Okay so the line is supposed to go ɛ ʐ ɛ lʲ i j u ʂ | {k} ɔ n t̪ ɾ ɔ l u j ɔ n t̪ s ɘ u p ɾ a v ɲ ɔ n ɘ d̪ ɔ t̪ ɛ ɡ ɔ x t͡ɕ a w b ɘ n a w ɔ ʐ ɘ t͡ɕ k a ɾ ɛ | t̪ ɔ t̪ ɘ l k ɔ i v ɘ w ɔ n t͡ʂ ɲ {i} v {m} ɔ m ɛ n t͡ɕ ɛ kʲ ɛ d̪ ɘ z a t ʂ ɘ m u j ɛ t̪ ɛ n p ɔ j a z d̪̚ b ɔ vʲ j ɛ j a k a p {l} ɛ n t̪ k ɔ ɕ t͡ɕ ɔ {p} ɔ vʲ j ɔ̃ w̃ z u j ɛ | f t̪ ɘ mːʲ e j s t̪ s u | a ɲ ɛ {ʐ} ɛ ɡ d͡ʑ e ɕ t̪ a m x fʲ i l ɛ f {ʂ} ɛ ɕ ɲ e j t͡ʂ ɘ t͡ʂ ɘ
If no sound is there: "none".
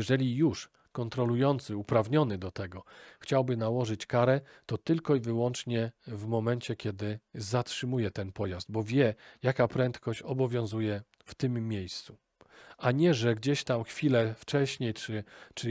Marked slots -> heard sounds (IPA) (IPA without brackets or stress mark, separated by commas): k, ɛ, m, ɾ, b, ʐ, t͡ʂ